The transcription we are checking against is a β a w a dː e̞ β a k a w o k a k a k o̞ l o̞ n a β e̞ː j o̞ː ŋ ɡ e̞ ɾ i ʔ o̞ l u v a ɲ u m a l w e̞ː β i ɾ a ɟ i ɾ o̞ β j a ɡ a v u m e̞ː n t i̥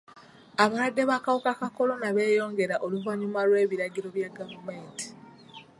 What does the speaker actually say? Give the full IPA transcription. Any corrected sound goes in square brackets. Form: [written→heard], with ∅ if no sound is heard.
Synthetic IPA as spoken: a β a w a dː e̞ β a k a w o k a k a k o̞ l o̞ n a β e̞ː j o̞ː ŋ ɡ e̞ ɾ [i→a] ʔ o̞ l u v a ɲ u m a l w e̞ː β i ɾ a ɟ i ɾ o̞ β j a ɡ a v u m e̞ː n t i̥